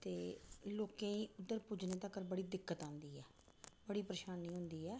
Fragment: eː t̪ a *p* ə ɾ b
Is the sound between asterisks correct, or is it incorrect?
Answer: incorrect